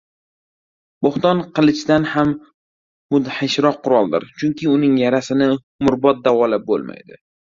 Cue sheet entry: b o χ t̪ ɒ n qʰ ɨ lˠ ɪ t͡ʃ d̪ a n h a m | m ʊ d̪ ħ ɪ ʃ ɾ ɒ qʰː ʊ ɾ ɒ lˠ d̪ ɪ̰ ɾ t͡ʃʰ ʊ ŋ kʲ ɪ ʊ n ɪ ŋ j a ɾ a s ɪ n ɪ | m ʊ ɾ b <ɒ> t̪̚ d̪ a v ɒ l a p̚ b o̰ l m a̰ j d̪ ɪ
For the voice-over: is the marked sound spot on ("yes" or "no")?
yes